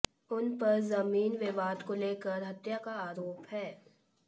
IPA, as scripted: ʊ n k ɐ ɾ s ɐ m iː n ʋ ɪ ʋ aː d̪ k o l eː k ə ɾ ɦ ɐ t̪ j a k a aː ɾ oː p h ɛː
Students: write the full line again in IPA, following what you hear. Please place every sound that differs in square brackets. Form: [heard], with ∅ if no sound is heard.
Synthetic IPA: ʊ n [p] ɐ ɾ [z] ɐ m iː n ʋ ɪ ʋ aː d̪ k o l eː k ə ɾ ɦ ɐ t̪ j a k a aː ɾ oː p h ɛː